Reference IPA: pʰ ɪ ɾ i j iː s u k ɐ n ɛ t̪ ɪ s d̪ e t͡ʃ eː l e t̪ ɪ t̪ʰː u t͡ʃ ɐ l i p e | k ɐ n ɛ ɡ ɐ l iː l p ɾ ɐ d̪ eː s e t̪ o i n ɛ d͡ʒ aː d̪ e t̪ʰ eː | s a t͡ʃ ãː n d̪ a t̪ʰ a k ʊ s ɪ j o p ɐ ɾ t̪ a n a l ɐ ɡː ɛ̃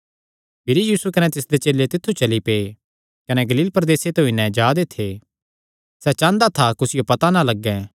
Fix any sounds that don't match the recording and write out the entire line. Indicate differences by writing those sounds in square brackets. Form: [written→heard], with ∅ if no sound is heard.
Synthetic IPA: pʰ ɪ ɾ i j iː s u k ɐ n ɛ t̪ ɪ s d̪ e t͡ʃ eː l e t̪ ɪ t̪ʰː u t͡ʃ ɐ l i p e | k ɐ n ɛ ɡ ɐ l iː l p ɾ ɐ d̪ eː s e t̪ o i n ɛ d͡ʒ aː d̪ e t̪ʰ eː | s [a→ɛ] t͡ʃ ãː n d̪ a t̪ʰ a k ʊ s ɪ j o p ɐ [ɾ→∅] t̪ a n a l ɐ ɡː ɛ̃